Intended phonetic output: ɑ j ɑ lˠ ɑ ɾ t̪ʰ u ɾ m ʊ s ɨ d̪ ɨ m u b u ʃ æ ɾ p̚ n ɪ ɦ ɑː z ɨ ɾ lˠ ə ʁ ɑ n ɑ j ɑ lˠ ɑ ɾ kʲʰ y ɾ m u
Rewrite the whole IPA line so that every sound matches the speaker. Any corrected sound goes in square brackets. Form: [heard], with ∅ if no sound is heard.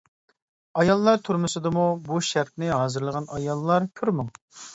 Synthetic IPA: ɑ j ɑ [lˠː] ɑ ɾ t̪ʰ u ɾ m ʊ s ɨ d̪ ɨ m u b u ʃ æ ɾ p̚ n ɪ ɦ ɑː z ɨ ɾ lˠ ə ʁ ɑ n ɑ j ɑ [lˠː] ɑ ɾ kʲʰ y ɾ m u